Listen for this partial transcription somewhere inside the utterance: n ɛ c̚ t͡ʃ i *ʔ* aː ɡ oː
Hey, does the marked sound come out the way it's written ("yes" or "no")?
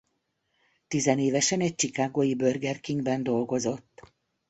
no